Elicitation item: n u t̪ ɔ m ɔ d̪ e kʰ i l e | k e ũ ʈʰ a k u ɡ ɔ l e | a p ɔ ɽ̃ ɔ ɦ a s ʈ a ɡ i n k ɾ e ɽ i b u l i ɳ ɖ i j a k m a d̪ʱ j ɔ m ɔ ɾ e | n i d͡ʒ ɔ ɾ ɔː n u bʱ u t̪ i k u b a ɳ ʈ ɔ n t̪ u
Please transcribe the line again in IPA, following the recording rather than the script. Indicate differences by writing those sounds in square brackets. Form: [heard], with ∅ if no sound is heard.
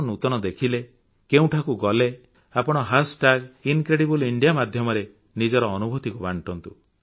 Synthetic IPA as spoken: n u t̪ ɔ [n] ɔ d̪ e kʰ i l e | k e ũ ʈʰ a k u ɡ ɔ l e | a p ɔ ɽ̃ ɔ ɦ a s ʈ a ɡ i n k ɾ e ɽ i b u l i ɳ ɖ i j a [∅] m a d̪ʱ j ɔ m ɔ ɾ e | n i d͡ʒ ɔ ɾ ɔː n u bʱ u t̪ i k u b a ɳ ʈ ɔ n t̪ u